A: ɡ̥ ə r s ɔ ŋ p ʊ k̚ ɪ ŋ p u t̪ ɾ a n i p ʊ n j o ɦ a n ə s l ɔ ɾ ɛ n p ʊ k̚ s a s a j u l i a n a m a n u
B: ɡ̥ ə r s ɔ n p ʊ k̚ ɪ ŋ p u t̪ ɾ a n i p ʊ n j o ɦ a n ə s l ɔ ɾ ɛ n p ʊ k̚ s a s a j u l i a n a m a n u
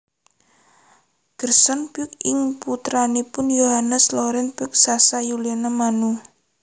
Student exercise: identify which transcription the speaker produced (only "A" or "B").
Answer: B